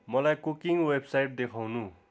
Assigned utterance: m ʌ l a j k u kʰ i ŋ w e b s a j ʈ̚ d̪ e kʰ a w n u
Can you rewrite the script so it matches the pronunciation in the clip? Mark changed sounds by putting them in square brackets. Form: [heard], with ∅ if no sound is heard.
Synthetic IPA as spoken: m ʌ l a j k u [k] i ŋ w e b s a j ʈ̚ d̪ e kʰ a w n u